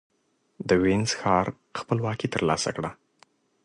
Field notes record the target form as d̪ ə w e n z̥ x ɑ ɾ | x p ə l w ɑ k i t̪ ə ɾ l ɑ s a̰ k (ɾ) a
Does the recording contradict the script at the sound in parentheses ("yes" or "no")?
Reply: yes